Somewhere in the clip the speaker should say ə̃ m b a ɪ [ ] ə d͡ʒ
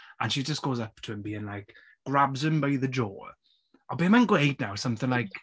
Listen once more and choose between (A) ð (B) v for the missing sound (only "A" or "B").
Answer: A